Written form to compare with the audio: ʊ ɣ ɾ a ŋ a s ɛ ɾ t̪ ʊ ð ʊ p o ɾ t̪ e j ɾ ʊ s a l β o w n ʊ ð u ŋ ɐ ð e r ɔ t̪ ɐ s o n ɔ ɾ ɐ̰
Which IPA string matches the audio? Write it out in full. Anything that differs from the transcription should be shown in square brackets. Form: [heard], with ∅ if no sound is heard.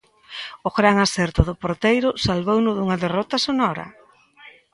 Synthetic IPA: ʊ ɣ ɾ a ŋ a s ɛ ɾ t̪ ʊ ð ʊ p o ɾ t̪ e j ɾ ʊ s a l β o w n ʊ ð u ŋ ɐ ð e r ɔ t̪ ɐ s o n ɔ ɾ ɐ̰